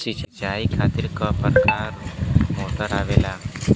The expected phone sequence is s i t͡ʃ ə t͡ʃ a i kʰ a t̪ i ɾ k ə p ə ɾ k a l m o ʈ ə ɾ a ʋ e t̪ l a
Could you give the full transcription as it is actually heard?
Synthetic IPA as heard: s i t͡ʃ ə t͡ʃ a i kʰ a t̪ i ɾ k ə p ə ɾ k a ɾ m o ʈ ə ɾ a ʋ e l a